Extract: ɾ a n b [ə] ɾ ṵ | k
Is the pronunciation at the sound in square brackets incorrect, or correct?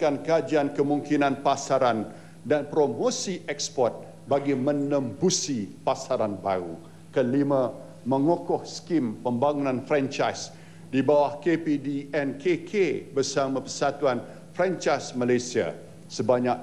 incorrect: a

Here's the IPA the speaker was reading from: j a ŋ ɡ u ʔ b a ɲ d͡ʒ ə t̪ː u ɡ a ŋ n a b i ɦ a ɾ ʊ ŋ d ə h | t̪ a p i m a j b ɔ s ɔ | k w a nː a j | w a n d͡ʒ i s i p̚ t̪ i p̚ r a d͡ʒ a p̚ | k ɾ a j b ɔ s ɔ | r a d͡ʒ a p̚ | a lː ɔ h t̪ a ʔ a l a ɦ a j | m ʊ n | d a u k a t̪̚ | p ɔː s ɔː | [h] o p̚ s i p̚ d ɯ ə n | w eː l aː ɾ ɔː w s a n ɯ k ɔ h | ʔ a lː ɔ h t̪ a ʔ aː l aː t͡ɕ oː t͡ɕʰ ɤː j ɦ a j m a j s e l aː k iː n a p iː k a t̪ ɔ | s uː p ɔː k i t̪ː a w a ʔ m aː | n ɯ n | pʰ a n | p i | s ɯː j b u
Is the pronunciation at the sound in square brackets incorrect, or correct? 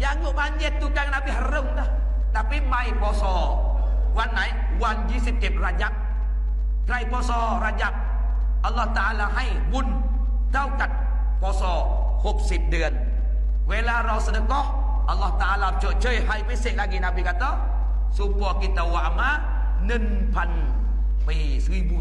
correct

